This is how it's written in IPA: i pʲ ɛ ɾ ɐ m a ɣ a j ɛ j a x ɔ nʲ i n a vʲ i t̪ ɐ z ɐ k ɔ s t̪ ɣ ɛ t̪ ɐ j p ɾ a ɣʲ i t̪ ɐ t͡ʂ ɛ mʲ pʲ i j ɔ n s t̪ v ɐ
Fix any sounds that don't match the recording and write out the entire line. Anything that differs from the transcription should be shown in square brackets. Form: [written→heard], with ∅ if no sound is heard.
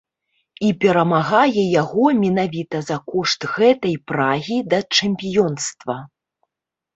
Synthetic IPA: i pʲ ɛ ɾ ɐ m a ɣ a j ɛ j a [x→ɣ] ɔ [nʲ→mʲ] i n a vʲ i t̪ ɐ z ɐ k ɔ [s→ʂ] t̪ ɣ ɛ t̪ ɐ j p ɾ a ɣʲ i [t̪→d̪] ɐ t͡ʂ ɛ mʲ pʲ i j ɔ n s t̪ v ɐ

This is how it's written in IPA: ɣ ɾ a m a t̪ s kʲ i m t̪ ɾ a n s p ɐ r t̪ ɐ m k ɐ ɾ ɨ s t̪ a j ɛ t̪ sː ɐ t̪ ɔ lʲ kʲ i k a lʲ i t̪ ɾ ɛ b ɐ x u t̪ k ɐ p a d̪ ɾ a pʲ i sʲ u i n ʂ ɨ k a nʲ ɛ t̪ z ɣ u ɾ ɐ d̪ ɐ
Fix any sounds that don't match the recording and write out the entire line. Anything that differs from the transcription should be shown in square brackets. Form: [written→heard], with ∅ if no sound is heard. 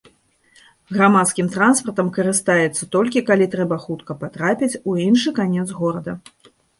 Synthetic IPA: ɣ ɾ a m a t̪ s kʲ i m t̪ ɾ a n s p ɐ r t̪ ɐ m k ɐ ɾ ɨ s t̪ a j ɛ t̪ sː ɐ t̪ ɔ lʲ kʲ i k a lʲ i t̪ ɾ ɛ b ɐ x u t̪ k ɐ p a [d̪→t̪] ɾ a pʲ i [sʲ→t͡sʲ] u i n ʂ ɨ k a nʲ ɛ t̪ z ɣ [u→ɔ] ɾ ɐ d̪ ɐ

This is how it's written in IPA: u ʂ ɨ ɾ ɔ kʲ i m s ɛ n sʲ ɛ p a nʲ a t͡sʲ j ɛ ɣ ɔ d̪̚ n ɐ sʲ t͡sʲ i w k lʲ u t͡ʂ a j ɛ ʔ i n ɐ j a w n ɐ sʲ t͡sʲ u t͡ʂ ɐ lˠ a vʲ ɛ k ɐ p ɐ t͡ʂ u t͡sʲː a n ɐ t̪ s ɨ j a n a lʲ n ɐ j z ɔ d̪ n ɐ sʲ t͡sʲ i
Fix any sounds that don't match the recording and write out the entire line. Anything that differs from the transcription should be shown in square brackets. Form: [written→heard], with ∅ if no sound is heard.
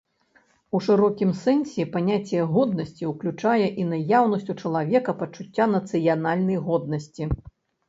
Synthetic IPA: u ʂ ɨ ɾ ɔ kʲ i m s ɛ n sʲ ɛ p a nʲ a t͡sʲ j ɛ ɣ ɔ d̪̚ n ɐ sʲ t͡sʲ i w k lʲ u t͡ʂ a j ɛ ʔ i n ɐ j a w n ɐ sʲ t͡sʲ u t͡ʂ ɐ lˠ a vʲ ɛ k ɐ p ɐ t͡ʂ u t͡sʲː a n ɐ t̪ s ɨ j a n a lʲ n ɐ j [z→ɣ] ɔ d̪ n ɐ sʲ t͡sʲ i

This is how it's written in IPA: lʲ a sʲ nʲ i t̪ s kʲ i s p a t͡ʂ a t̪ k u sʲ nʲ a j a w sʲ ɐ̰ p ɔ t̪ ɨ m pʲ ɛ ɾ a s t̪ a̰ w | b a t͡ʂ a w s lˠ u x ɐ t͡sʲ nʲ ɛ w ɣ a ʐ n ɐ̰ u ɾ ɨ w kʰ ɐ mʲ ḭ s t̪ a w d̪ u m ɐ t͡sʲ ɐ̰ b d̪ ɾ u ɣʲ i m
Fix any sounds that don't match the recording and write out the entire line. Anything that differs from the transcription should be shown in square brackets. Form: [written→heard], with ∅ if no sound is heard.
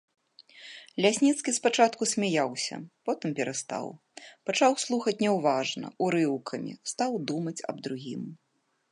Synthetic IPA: lʲ a sʲ nʲ i t̪ s kʲ i s p a t͡ʂ a t̪ k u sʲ [nʲ→mʲ] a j a w sʲ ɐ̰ p ɔ t̪ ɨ m pʲ ɛ ɾ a s t̪ a̰ w | [b→p] a t͡ʂ a w s lˠ u x ɐ t͡sʲ nʲ ɛ w [ɣ→v] a ʐ n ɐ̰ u ɾ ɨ w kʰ ɐ mʲ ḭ s t̪ a w d̪ u m ɐ t͡sʲ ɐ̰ b d̪ ɾ u ɣʲ i m

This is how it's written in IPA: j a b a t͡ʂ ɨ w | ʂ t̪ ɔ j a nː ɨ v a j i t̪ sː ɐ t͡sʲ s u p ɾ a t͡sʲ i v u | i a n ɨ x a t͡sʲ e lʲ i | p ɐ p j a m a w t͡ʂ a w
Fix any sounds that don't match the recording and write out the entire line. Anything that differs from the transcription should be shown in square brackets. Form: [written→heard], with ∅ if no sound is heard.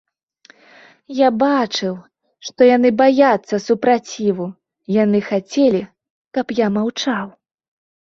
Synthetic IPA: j a b a t͡ʂ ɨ w | ʂ t̪ ɔ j a [nː→n] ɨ [v→b] a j [i→a] t̪ sː ɐ [t͡sʲ→∅] s u p ɾ a t͡sʲ i v u | [i→j] a n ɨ x a t͡sʲ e lʲ i | [p→k] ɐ p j a m a w t͡ʂ a w

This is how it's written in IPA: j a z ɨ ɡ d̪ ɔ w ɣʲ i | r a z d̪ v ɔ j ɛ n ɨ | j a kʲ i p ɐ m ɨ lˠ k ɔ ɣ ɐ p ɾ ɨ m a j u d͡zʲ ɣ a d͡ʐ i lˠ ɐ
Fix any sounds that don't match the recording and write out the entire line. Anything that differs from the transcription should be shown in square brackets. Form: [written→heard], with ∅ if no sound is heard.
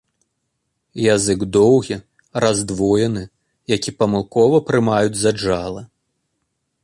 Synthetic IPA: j a z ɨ ɡ d̪ ɔ w ɣʲ i | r a z d̪ v ɔ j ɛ n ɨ | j a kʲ i p ɐ m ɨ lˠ k ɔ [ɣ→v] ɐ p ɾ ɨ m a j u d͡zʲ [ɣ→z] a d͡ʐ [i→a] lˠ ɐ

